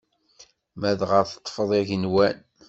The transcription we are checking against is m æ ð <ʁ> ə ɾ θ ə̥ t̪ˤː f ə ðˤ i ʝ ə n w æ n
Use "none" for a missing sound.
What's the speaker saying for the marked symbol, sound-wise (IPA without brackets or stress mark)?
ʁ